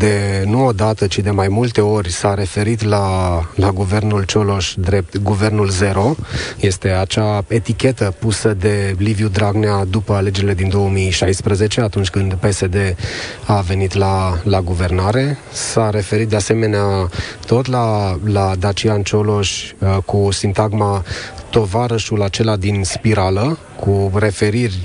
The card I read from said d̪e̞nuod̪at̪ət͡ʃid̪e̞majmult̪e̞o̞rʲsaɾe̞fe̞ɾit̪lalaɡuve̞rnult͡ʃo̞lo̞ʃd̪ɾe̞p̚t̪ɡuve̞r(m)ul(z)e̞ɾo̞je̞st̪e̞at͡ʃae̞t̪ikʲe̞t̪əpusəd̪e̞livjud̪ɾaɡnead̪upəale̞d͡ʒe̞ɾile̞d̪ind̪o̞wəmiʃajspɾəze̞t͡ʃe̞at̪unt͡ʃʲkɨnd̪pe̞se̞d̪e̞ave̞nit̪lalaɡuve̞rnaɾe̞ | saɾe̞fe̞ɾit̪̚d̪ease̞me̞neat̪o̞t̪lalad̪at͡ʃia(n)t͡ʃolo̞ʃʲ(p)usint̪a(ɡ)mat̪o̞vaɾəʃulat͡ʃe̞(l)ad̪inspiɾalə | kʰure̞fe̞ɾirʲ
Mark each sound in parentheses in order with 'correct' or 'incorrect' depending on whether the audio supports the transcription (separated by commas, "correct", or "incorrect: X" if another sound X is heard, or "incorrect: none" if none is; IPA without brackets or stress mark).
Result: incorrect: n, correct, correct, incorrect: k, correct, correct